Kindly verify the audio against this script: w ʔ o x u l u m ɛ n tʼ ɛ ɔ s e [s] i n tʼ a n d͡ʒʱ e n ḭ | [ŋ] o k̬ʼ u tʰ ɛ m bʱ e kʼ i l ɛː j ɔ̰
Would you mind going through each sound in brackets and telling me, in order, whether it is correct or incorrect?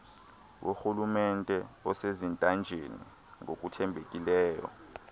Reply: incorrect: z, correct

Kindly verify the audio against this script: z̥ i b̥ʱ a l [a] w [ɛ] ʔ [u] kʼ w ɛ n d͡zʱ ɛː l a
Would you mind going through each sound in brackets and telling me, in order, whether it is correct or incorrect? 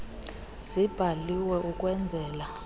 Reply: incorrect: i, correct, correct

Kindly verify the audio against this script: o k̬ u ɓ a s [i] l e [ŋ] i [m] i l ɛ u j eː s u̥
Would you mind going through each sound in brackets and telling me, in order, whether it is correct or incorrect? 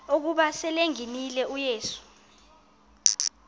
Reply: incorrect: ɛ, correct, incorrect: n

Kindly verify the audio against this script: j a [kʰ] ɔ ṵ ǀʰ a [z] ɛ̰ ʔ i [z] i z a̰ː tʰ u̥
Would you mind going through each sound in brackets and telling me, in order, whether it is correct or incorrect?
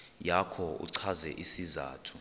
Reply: correct, correct, incorrect: s

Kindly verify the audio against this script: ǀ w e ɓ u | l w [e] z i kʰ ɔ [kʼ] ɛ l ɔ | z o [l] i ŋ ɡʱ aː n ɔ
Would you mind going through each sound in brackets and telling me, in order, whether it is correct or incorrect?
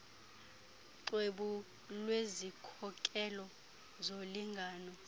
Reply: correct, correct, correct

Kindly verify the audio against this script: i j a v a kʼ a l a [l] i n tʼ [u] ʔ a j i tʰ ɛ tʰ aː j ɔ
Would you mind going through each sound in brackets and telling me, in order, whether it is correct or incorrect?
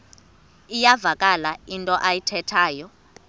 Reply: incorrect: none, incorrect: ɔ

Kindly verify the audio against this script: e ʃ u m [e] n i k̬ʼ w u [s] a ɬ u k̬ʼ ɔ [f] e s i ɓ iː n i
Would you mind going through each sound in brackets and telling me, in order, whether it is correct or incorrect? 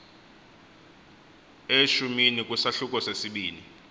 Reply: incorrect: i, correct, incorrect: s

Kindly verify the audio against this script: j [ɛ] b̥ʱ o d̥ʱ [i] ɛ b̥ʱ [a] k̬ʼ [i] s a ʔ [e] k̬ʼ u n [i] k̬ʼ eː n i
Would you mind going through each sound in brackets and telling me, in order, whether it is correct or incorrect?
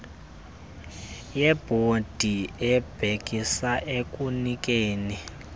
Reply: correct, correct, incorrect: e, correct, correct, correct

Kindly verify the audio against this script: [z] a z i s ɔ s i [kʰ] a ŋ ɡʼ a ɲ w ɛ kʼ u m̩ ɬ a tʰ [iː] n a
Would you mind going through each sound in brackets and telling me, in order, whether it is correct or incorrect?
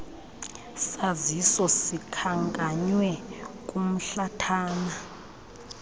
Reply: incorrect: s, correct, incorrect: aː

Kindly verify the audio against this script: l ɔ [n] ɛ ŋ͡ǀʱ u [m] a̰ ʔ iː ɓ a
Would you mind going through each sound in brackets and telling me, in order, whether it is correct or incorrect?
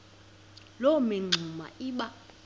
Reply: incorrect: m, correct

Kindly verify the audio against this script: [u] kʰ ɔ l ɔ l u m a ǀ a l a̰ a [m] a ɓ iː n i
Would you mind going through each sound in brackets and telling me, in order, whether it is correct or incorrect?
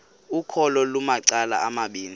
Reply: correct, correct

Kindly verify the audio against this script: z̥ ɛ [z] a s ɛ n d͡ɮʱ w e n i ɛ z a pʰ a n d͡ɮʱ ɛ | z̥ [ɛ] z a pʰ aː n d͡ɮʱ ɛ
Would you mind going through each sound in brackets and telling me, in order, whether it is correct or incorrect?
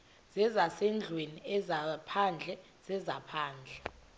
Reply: correct, correct

